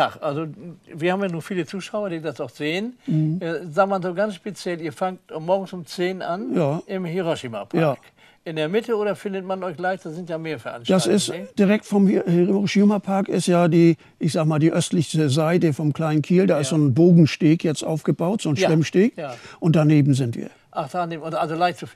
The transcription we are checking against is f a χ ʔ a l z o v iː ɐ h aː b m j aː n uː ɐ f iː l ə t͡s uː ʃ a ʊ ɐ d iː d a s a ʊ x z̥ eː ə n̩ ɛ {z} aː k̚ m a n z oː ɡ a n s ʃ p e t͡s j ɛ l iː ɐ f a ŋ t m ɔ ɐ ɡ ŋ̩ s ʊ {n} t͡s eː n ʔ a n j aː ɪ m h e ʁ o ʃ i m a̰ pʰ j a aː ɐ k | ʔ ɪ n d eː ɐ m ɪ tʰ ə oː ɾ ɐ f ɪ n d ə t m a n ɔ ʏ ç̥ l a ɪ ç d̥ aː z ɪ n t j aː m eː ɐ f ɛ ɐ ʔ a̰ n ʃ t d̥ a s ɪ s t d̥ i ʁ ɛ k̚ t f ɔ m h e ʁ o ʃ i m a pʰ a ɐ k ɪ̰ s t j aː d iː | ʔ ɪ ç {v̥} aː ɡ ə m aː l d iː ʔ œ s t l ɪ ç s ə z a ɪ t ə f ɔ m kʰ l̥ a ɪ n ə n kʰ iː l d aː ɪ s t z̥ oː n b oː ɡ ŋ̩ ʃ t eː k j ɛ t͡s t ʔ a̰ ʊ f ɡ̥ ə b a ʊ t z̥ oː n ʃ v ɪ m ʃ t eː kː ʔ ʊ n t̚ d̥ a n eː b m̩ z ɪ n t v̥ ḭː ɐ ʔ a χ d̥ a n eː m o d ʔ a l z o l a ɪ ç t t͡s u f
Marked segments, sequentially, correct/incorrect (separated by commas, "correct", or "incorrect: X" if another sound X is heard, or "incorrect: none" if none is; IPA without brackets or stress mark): correct, incorrect: m, incorrect: z̥